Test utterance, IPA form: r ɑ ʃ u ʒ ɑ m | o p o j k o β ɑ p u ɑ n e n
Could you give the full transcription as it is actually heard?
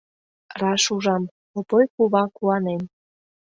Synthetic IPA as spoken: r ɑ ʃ u ʒ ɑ m | o p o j k u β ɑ k u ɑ n e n